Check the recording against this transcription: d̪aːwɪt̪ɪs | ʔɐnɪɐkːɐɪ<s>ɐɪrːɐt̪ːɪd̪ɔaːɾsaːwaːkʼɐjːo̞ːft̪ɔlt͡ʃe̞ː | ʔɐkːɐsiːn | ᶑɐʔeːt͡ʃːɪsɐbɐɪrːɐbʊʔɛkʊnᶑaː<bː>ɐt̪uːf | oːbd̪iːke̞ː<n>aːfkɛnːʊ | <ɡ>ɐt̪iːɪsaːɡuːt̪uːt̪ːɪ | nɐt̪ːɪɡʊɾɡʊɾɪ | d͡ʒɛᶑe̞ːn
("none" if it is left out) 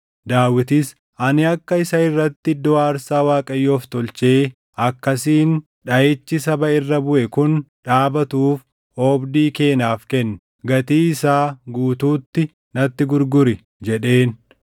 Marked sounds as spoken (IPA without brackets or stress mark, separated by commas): s, b, n, ɡ